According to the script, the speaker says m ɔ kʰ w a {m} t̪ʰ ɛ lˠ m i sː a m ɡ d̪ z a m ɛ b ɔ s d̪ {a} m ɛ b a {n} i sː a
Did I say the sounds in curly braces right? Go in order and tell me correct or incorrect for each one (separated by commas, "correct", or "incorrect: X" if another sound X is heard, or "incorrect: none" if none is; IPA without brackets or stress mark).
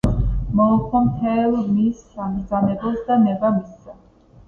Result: correct, correct, incorrect: m